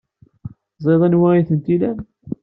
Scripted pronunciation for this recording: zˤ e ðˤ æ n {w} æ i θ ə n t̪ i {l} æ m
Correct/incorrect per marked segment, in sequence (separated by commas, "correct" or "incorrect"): correct, correct